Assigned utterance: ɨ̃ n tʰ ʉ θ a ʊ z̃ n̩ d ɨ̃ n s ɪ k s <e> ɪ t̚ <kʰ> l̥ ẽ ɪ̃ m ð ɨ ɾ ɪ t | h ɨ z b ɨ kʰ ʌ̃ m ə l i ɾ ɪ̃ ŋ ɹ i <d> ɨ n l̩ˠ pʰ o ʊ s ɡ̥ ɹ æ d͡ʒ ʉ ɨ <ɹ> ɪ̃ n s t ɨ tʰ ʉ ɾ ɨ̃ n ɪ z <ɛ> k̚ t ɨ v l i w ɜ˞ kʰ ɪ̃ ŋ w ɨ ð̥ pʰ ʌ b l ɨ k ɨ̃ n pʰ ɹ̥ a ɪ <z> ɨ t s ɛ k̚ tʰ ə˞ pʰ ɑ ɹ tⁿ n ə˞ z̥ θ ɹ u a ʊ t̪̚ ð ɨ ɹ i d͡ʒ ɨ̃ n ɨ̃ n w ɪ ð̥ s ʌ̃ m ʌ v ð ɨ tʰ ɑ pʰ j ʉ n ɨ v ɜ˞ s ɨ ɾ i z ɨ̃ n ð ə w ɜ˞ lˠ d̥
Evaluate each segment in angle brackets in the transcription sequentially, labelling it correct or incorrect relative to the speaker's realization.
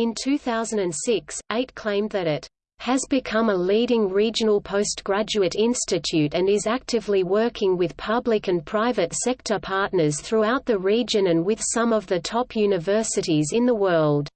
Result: correct, correct, incorrect: d͡ʒ, incorrect: ɾ, incorrect: æ, incorrect: v

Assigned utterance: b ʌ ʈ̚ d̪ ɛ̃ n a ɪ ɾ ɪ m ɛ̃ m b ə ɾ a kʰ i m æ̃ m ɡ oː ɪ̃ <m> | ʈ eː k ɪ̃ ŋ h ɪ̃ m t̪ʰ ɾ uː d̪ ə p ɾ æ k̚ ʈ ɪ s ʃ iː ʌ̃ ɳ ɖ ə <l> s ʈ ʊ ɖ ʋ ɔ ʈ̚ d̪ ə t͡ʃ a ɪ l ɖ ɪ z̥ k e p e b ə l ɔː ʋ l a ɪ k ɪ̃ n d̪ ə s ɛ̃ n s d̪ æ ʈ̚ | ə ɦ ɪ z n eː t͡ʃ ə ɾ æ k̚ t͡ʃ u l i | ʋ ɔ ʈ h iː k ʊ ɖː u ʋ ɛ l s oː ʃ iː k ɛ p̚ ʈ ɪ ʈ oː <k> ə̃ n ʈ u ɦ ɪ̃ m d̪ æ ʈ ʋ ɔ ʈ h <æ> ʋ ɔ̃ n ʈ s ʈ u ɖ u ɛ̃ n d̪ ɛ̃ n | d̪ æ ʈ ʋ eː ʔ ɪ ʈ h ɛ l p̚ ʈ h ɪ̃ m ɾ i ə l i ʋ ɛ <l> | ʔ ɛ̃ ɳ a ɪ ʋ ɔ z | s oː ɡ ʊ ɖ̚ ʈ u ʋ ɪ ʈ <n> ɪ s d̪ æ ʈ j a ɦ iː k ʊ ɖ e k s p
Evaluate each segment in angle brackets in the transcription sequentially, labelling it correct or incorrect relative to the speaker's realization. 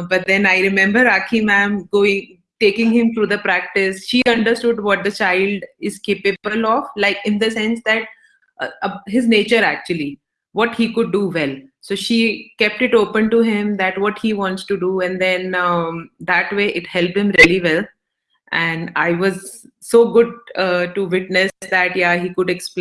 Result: incorrect: ŋ, incorrect: ɾ, incorrect: p, incorrect: i, correct, correct

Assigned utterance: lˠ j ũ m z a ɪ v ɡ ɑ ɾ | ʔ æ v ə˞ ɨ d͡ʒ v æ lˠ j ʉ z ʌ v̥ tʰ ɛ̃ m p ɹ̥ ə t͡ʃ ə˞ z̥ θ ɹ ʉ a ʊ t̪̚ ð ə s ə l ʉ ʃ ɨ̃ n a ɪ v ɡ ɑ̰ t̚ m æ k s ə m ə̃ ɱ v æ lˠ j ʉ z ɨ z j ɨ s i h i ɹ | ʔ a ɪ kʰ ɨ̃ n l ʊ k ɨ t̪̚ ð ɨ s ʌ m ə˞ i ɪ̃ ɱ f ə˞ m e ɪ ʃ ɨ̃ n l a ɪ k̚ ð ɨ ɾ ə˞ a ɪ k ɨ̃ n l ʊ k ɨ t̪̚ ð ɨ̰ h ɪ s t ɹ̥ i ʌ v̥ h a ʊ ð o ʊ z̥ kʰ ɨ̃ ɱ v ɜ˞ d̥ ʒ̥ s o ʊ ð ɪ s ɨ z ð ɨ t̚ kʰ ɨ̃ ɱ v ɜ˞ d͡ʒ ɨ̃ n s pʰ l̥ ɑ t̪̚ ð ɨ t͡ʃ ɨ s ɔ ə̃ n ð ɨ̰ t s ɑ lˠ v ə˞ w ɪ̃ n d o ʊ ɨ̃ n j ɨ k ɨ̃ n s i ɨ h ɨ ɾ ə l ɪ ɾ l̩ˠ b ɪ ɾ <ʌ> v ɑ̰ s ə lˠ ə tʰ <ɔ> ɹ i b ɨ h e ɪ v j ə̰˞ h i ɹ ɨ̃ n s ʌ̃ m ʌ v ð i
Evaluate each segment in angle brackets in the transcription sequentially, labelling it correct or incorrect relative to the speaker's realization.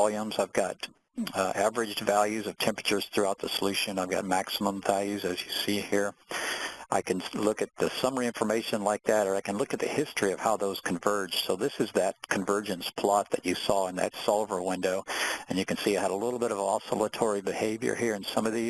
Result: correct, correct

